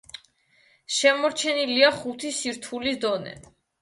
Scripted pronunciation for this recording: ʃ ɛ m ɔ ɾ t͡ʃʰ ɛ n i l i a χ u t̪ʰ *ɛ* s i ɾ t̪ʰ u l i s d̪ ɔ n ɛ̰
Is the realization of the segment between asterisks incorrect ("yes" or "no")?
yes